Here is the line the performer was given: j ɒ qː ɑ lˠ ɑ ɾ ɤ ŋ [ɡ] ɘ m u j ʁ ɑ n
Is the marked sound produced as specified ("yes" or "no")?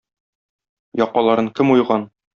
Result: no